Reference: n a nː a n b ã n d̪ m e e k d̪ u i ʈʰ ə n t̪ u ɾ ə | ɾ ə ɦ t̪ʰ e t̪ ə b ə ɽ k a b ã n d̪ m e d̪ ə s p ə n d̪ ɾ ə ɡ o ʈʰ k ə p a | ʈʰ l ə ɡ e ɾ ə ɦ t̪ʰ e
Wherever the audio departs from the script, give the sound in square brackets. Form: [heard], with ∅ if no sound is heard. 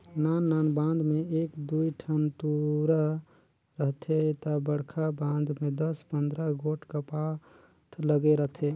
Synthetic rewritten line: n a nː a n b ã n d̪ m e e k d̪ u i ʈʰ ə n t̪ u ɾ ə | ɾ ə ɦ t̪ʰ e t̪ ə b ə ɽ [kʰ] a b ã n d̪ m e d̪ ə s p ə n d̪ ɾ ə ɡ o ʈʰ k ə p a | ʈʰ l ə ɡ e ɾ ə ɦ t̪ʰ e